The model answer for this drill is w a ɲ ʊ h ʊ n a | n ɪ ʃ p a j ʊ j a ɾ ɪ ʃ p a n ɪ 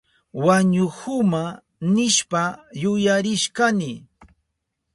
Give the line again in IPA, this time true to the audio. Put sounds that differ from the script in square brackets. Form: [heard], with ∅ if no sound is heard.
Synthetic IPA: w a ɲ ʊ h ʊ [m] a | n ɪ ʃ p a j ʊ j a ɾ ɪ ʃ [k] a n ɪ